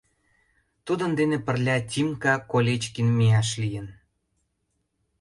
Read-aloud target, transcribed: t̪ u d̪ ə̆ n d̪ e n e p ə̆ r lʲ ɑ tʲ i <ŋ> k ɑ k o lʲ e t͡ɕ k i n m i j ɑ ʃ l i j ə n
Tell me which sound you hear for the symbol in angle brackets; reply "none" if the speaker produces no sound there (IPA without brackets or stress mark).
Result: m